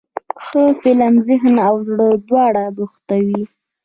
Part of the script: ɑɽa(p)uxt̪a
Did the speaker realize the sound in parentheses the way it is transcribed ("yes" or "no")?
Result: no